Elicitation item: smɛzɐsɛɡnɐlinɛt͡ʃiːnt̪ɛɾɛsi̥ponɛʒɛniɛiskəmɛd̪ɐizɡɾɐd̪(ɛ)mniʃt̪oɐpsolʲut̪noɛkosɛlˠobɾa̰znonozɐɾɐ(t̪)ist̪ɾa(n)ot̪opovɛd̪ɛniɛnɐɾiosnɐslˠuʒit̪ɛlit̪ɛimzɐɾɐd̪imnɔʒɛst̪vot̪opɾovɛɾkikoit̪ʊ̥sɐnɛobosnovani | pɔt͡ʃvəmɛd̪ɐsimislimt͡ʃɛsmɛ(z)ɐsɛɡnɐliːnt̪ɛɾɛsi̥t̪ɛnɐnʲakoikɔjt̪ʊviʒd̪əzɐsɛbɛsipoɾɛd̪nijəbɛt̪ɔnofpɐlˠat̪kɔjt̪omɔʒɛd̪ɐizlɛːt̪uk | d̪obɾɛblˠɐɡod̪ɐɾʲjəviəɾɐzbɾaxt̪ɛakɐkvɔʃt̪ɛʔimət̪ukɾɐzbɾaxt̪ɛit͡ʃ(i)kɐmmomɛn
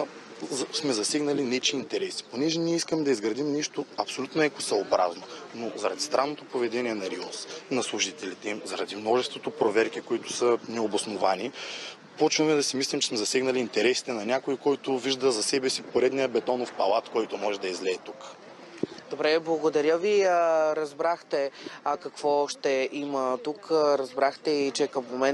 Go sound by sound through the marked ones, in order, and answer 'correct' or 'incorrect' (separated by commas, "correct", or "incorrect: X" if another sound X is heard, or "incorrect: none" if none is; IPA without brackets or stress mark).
incorrect: i, incorrect: d̪, incorrect: nː, correct, incorrect: ɛ